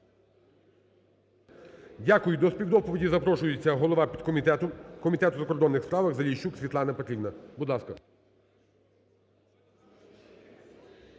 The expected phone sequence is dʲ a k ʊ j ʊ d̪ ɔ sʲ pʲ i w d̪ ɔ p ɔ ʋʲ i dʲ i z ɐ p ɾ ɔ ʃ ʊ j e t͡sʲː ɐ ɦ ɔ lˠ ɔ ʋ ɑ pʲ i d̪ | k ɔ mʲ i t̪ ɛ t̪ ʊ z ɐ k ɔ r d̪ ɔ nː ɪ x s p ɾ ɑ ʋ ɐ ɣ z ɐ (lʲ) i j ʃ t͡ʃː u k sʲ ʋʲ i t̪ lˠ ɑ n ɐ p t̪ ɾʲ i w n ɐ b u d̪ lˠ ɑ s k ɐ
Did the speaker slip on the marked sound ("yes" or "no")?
no